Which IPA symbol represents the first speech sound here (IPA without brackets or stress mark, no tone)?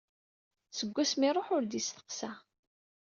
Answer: s